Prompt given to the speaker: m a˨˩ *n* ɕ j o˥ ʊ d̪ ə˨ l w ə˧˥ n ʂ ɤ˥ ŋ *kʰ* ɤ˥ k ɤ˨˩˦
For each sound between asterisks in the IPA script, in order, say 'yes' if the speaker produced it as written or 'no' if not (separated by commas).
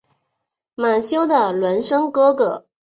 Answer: yes, no